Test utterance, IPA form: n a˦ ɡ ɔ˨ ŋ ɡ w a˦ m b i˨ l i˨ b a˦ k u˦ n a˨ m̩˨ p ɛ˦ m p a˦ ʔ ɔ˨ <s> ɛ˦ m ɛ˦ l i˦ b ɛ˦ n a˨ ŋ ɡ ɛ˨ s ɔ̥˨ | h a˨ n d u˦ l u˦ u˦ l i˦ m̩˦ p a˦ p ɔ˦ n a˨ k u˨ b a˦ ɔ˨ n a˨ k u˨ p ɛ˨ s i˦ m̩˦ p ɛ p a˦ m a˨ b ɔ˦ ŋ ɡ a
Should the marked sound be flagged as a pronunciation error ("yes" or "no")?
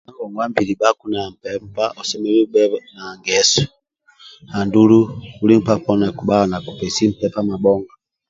no